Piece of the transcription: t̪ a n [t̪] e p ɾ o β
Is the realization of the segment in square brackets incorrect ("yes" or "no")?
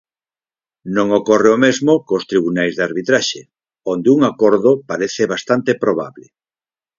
no